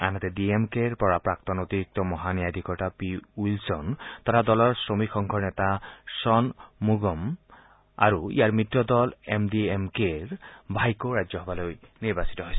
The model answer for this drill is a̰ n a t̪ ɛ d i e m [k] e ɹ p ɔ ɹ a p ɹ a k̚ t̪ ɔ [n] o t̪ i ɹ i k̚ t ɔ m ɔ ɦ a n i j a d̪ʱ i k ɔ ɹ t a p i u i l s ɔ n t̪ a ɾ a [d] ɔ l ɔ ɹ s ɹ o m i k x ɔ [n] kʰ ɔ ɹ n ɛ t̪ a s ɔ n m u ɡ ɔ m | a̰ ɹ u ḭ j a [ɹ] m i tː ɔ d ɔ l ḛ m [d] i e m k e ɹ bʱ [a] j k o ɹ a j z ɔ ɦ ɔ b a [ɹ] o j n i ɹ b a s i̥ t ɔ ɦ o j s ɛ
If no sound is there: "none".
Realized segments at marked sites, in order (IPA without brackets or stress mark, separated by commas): k, n, d, ŋ, ɹ, d, a, l